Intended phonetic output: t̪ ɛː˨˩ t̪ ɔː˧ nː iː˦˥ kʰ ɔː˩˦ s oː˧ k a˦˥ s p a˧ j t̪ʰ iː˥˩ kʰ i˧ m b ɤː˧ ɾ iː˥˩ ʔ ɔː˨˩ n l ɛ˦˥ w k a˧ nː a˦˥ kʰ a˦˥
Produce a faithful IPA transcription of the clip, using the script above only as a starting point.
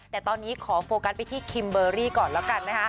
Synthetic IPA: t̪ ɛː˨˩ t̪ ɔː˧ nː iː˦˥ kʰ ɔː˩˦ f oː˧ k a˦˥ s p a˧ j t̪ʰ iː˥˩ kʰ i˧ m b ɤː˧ ɾ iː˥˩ k ɔː˨˩ n l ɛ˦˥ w k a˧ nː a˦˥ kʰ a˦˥